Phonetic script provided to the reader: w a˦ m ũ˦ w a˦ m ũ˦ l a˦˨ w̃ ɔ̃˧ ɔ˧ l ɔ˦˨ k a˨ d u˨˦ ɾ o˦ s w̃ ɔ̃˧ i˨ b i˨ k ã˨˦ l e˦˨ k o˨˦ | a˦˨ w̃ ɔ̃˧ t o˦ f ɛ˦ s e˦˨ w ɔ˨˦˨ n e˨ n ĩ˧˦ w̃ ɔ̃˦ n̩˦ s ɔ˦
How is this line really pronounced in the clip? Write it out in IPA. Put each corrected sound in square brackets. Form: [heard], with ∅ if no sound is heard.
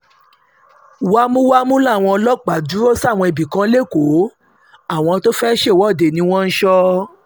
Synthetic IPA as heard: w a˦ m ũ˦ w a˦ m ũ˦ l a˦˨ w̃ ɔ̃˧ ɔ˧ l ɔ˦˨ [k͡p] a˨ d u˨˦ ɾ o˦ s w̃ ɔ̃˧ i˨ b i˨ k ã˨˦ l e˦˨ k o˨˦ | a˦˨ w̃ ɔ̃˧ t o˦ f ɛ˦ [ʃ] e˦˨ w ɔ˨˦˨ [d] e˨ n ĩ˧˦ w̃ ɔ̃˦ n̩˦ [ʃ] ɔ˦